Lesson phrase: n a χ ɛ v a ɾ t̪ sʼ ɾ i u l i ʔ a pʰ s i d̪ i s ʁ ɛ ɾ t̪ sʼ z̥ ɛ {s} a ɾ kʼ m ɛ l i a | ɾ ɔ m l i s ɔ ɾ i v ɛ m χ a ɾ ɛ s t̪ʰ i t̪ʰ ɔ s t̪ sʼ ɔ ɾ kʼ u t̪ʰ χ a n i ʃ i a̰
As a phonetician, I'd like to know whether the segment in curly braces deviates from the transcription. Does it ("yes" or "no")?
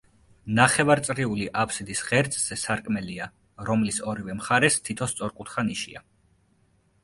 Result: no